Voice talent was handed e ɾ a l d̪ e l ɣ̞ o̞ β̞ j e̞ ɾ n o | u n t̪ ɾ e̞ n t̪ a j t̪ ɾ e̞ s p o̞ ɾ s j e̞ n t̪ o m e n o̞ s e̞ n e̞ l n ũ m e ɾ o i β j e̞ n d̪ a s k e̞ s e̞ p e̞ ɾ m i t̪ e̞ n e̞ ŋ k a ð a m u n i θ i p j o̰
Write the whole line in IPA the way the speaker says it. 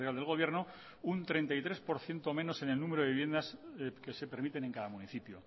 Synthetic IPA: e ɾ a l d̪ e l ɣ̞ o̞ β̞ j e̞ ɾ n o | u n t̪ ɾ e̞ n t̪ a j t̪ ɾ e̞ s p o̞ ɾ θ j e̞ n t̪ o m e n o̞ s e̞ n e̞ l n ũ m e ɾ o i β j e̞ n d̪ a s k e̞ s e̞ p e̞ ɾ m i t̪ e̞ n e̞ ŋ k a ð a m u n i θ i p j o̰